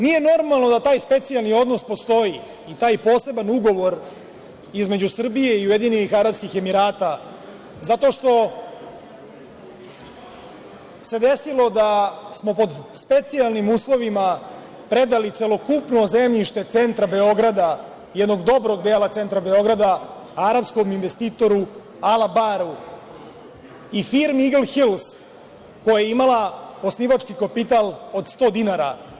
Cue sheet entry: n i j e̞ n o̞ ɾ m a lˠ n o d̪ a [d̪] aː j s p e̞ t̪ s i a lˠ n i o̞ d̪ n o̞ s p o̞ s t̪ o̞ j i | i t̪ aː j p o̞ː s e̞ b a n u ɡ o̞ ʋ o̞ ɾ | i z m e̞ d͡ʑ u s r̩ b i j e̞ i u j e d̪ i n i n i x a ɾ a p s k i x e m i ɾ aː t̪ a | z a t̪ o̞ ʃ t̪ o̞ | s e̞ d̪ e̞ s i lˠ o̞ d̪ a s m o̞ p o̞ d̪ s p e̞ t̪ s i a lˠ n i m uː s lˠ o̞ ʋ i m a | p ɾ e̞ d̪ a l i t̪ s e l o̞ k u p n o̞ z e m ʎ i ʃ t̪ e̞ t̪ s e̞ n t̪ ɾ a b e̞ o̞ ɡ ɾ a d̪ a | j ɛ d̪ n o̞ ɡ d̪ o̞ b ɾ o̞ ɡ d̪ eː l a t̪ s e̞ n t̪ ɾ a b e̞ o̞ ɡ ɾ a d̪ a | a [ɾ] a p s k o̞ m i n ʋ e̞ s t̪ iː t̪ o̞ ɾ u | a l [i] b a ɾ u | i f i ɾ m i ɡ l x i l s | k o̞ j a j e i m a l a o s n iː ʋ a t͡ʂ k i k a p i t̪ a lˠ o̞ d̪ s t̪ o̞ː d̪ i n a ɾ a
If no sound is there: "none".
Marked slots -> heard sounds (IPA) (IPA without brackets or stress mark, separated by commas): t̪, ɾ, a